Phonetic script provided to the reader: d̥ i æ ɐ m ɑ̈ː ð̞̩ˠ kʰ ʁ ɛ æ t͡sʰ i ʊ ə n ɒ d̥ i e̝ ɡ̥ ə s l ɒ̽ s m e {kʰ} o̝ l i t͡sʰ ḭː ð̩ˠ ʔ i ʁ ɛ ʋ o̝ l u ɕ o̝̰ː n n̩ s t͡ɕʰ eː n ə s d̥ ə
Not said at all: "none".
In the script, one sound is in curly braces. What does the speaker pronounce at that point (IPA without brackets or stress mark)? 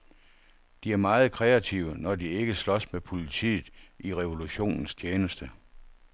pʰ